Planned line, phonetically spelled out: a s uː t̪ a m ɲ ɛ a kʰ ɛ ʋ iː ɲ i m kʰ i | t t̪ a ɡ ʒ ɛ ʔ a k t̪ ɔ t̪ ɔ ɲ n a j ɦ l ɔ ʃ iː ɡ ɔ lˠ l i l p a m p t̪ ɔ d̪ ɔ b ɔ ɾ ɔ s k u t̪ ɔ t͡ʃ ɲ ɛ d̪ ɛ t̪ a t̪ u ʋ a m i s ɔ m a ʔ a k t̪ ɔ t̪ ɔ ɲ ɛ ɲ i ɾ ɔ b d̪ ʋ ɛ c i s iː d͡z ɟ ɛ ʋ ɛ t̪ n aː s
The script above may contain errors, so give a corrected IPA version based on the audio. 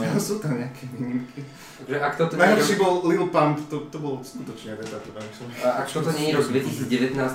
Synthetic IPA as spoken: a s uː t̪ a m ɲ ɛ a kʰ ɛ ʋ iː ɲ i m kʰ i | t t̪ a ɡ ʒ ɛ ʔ a k t̪ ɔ t̪ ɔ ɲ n a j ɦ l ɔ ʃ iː b ɔ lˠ l i l p a m p t̪ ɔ t̪ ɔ b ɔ l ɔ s k u t̪ ɔ t͡ʃ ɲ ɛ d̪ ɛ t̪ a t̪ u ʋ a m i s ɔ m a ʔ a k t̪ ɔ t̪ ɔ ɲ ɛ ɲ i ɾ ɔ ɡ d̪ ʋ ɛ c i s iː d͡z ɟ ɛ ʋ ɛ t̪ n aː s